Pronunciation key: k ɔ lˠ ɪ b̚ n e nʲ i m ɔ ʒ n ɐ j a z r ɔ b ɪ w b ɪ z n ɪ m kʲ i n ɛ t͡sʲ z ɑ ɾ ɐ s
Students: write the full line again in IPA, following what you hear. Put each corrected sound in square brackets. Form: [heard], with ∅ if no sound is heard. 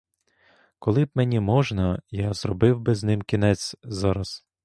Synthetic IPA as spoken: k ɔ lˠ ɪ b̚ [m] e nʲ i m ɔ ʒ n ɐ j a z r ɔ b ɪ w b ɪ z n ɪ m kʲ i n ɛ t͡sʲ z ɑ ɾ ɐ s